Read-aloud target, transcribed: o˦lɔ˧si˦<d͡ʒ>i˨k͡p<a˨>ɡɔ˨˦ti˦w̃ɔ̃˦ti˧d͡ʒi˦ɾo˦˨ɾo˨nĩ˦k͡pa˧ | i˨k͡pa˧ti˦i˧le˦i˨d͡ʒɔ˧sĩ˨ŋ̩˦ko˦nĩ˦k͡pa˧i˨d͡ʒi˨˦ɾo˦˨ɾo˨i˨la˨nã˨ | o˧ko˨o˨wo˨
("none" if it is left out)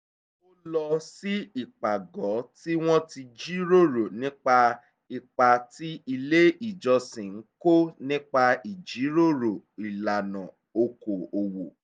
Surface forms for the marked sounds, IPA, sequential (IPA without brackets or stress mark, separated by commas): none, a˨